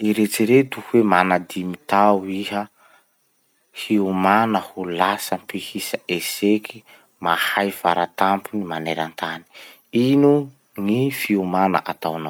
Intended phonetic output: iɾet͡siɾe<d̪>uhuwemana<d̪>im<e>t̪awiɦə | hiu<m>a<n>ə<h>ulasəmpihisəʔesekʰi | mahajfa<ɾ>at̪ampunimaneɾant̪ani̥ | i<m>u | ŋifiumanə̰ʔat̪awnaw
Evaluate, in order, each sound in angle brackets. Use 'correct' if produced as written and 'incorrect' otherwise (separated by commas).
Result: incorrect, correct, incorrect, correct, correct, correct, correct, incorrect